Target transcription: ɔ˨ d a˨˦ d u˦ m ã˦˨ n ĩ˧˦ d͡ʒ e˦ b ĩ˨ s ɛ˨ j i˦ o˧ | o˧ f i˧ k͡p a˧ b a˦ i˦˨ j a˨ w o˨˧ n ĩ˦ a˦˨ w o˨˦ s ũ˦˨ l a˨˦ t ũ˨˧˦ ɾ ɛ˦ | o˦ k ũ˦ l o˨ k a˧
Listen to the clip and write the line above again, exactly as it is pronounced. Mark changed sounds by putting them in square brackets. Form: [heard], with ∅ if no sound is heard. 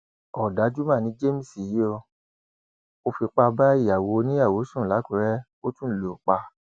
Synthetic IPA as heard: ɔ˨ d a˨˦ [d͡ʒ] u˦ m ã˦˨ n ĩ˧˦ d͡ʒ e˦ [m] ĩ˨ s [i˨] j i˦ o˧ | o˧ f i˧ k͡p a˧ b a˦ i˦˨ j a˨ w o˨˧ n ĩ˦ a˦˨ w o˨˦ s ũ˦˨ l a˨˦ [k] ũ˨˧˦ ɾ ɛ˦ | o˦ [t] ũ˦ l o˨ [k͡p] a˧